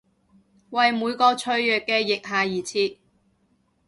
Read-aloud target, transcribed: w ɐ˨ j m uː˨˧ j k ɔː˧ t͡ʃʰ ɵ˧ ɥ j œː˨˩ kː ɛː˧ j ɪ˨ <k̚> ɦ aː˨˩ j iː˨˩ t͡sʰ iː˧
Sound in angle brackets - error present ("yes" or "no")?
no